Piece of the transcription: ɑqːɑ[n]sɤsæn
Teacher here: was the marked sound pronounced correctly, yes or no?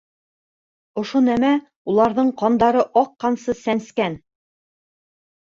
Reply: yes